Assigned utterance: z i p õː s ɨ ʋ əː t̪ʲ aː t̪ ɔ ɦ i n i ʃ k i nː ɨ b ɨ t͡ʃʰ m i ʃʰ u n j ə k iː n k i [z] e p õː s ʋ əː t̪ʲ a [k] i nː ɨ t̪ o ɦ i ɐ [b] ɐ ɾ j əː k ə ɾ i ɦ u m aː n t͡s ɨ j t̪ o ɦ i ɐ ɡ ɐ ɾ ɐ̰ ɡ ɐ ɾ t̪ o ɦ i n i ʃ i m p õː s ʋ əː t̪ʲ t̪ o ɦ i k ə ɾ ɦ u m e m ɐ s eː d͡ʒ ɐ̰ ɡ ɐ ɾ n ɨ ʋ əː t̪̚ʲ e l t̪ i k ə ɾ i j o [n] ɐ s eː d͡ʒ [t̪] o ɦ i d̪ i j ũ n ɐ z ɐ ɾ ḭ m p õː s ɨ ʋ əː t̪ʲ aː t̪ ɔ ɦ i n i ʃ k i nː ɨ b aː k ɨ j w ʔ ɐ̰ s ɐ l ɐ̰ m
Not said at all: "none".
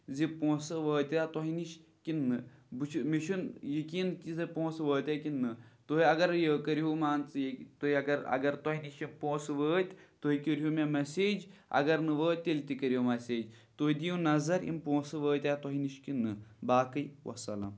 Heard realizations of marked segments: z, k, ɡ, m, t̪

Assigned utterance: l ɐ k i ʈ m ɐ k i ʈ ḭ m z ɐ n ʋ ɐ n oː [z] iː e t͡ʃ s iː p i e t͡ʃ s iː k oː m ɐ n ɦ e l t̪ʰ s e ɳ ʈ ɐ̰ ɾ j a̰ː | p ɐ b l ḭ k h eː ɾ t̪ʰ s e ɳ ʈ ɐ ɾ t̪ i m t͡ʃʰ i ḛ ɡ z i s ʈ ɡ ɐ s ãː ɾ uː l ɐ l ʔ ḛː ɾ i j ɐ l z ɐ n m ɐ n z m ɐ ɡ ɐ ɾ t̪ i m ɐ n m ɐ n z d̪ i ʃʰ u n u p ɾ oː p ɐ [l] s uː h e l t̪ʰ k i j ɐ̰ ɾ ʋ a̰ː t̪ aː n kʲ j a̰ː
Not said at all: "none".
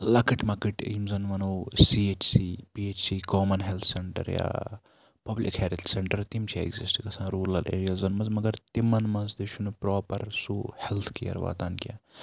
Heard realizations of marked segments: s, ɾ

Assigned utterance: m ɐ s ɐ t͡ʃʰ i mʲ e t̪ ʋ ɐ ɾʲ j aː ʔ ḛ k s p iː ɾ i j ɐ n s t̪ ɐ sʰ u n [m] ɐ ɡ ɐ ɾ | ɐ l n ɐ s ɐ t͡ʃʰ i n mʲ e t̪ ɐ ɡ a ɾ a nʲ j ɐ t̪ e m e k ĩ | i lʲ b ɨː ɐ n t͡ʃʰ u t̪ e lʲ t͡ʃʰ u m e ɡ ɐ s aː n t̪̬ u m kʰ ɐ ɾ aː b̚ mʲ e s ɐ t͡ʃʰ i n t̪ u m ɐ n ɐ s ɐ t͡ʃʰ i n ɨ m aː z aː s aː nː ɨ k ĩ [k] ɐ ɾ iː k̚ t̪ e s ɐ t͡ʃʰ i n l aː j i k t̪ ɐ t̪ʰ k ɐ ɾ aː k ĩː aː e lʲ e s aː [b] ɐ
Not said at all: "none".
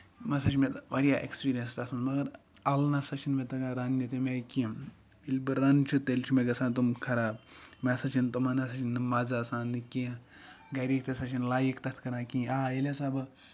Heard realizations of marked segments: m, ɡ, b

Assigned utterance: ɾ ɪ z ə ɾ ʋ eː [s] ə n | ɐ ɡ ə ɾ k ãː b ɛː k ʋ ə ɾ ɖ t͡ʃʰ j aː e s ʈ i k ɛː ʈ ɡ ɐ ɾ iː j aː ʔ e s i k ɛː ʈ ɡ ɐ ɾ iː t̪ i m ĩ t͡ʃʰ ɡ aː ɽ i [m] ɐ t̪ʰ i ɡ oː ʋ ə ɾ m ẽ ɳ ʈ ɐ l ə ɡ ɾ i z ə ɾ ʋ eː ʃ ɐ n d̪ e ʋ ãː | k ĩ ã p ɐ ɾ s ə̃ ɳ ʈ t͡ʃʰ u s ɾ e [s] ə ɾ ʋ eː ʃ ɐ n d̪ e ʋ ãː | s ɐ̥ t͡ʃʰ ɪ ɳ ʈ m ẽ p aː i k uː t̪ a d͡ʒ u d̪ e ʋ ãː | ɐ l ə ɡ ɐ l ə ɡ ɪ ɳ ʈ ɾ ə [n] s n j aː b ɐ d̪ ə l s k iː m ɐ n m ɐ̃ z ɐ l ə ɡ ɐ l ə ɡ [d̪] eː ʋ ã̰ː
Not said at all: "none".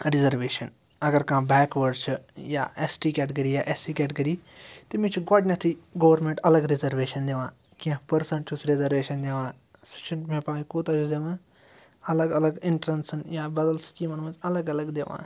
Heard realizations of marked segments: ʃ, n, z, n, d̪

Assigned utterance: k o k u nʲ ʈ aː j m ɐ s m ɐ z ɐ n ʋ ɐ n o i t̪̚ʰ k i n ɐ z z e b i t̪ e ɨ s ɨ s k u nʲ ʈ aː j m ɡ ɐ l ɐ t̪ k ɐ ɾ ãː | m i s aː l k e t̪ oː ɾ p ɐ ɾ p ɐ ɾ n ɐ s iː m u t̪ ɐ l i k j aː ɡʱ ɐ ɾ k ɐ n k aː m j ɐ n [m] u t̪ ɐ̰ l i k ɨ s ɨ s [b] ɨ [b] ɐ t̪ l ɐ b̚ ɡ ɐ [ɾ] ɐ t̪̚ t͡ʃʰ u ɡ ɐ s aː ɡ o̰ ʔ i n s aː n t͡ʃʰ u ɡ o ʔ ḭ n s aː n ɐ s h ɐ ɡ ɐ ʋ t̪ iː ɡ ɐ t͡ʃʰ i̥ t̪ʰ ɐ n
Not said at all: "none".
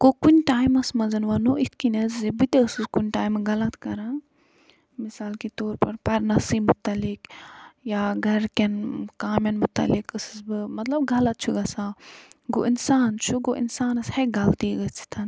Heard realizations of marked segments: m, b, m, l

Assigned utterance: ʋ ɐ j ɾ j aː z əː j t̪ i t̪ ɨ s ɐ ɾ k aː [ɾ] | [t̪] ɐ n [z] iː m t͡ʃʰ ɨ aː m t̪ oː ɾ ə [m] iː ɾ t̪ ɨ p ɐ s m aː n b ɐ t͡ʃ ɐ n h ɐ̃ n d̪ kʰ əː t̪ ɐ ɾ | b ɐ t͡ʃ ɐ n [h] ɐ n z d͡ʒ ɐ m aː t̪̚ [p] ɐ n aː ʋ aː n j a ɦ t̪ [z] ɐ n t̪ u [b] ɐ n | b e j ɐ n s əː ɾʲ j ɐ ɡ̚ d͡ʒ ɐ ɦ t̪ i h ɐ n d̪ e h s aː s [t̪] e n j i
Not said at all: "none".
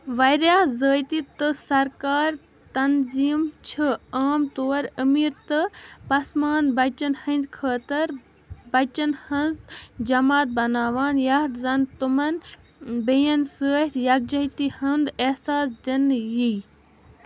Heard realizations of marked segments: ɾ, t̪, z, m, h, b, z, m, d̪

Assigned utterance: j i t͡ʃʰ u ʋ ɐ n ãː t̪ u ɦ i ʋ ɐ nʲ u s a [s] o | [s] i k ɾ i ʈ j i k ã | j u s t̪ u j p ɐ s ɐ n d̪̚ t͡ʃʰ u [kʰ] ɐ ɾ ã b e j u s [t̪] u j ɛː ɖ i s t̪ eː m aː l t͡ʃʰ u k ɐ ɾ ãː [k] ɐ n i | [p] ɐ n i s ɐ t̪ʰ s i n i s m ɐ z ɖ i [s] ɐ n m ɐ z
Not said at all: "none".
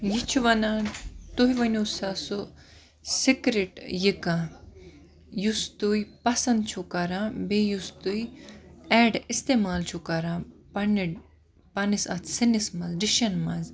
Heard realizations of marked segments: s, s, k, t̪, p, p, ʃ

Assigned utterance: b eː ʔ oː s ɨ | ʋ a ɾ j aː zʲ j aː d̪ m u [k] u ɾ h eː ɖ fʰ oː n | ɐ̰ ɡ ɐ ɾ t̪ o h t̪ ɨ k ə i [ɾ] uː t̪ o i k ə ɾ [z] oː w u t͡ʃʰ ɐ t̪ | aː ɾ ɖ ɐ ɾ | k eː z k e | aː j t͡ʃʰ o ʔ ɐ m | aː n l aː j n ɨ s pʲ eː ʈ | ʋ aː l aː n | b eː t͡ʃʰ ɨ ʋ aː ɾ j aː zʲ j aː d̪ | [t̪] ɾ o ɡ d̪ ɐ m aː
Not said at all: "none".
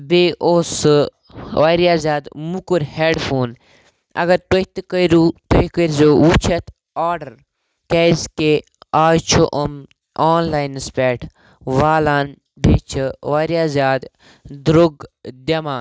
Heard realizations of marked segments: k, ɾ, z, d̪

